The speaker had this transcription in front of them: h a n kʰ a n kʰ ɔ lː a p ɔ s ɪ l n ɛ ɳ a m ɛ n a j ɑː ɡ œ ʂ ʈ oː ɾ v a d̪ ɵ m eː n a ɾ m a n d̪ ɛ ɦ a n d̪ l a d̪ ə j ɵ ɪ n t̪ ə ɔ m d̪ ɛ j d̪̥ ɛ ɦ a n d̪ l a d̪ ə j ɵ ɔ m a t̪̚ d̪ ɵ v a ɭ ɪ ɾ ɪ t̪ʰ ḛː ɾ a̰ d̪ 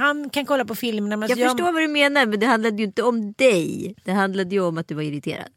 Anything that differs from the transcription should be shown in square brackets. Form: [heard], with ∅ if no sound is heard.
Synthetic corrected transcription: h a n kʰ a n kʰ ɔ lː a p ɔ [f] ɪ l [m] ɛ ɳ a m ɛ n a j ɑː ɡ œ ʂ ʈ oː ɾ v a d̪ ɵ m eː n a ɾ m [ɛ] n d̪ ɛ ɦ a n d̪ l a d̪ ə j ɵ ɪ n t̪ ə ɔ m d̪ ɛ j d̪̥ ɛ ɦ a n d̪ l a d̪ ə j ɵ ɔ m a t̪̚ d̪ ɵ v a [ɾ] ɪ ɾ ɪ t̪ʰ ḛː ɾ a̰ d̪